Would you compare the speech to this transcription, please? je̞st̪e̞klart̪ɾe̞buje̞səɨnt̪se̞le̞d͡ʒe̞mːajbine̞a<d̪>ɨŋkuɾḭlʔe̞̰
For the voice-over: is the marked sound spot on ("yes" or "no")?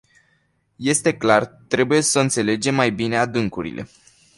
yes